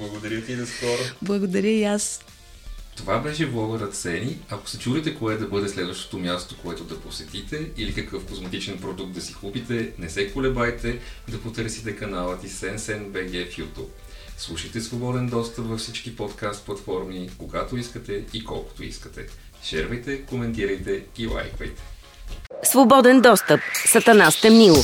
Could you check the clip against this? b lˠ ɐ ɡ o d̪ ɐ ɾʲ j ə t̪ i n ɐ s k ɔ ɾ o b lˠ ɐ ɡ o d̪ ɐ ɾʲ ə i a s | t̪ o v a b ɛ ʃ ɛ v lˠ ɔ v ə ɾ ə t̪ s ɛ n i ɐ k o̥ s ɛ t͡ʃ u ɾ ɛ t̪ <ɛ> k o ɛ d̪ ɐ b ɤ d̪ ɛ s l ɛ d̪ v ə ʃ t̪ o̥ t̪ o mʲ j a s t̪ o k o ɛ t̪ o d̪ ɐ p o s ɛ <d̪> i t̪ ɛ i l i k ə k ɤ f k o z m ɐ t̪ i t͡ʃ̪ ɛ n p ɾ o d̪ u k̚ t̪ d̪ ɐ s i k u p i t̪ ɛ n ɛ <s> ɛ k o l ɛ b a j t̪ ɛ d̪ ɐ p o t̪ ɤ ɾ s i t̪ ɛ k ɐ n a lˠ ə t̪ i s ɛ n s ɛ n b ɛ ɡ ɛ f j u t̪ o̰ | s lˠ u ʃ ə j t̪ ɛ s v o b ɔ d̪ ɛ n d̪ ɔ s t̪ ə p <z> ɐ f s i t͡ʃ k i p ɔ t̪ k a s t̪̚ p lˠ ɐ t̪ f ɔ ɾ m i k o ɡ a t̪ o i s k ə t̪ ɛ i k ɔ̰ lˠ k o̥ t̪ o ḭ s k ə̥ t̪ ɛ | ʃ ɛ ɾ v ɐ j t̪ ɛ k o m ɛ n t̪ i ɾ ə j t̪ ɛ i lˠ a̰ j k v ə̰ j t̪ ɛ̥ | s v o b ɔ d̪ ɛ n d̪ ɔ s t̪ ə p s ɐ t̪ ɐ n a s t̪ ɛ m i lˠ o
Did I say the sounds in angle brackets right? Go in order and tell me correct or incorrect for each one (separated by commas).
correct, incorrect, correct, incorrect